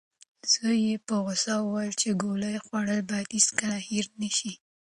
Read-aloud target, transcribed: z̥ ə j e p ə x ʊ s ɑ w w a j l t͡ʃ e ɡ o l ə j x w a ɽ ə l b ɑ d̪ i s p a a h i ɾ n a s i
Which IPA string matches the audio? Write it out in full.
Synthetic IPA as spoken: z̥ ə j e p ə ɣ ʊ s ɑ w w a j l t͡ʃ e ɡ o l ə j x w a ɽ ə l b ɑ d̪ i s k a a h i ɾ n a ʃ i